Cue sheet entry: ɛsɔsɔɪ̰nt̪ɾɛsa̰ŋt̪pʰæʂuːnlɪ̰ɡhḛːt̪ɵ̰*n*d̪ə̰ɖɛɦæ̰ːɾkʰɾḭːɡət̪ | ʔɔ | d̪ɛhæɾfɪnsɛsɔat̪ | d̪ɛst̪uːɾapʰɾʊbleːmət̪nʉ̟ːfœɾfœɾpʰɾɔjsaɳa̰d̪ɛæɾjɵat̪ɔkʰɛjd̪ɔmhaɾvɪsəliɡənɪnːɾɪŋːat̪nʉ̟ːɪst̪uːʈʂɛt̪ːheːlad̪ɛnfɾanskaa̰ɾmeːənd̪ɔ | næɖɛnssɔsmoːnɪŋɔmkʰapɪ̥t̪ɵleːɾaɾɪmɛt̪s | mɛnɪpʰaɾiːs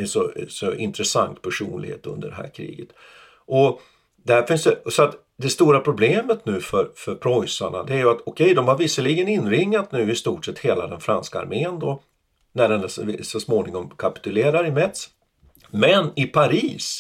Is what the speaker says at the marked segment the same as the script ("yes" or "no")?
yes